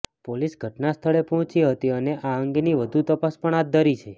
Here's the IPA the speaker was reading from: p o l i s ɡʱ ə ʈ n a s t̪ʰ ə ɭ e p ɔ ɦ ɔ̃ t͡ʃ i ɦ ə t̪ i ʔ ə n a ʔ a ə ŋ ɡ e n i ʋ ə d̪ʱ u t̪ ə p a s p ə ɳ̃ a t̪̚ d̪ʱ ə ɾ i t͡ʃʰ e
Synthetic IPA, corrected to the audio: p o l i s ɡʱ ə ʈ n a s t̪ʰ ə ɭ e p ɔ ɦ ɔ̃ t͡ʃ i ɦ ə t̪ i ə n e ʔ a ə ŋ ɡ e n i ʋ ə d̪ʱ u t̪ ə p a s p ə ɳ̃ a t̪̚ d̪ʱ ə ɾ i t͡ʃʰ e